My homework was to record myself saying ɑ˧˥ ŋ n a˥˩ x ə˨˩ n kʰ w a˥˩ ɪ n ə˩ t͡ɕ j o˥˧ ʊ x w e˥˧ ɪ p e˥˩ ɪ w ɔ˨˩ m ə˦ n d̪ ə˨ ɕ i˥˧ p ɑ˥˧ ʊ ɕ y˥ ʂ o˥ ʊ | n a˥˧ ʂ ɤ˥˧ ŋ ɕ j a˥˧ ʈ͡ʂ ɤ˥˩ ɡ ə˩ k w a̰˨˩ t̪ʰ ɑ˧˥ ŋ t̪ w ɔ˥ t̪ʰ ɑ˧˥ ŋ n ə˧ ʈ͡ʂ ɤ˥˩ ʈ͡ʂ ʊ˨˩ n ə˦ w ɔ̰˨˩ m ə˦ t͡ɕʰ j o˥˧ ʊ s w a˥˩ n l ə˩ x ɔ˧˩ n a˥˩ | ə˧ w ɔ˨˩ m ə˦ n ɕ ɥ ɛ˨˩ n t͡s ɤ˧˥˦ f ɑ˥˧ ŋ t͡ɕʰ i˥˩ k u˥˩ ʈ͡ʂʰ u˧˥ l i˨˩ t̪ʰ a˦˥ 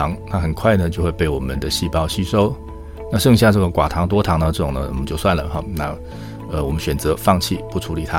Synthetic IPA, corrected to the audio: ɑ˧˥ ŋ n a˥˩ x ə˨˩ n kʰ w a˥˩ ɪ n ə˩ t͡ɕ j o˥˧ ʊ x w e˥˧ ɪ p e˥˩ ɪ w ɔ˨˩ m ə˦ n d̪ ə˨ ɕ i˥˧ p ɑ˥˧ ʊ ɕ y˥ ʂ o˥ ʊ | n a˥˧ ʂ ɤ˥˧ ŋ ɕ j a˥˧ ʈ͡ʂ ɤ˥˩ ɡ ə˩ k w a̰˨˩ t̪ʰ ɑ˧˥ ŋ t̪ w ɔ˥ t̪ʰ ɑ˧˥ ŋ n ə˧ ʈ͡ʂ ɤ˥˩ ʈ͡ʂ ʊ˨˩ n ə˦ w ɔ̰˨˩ m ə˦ t͡ɕ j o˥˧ ʊ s w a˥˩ n l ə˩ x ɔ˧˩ n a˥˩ | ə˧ w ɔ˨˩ m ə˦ n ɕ ɥ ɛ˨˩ n t͡s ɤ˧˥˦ f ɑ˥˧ ŋ t͡ɕʰ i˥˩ p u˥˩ ʈ͡ʂʰ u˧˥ l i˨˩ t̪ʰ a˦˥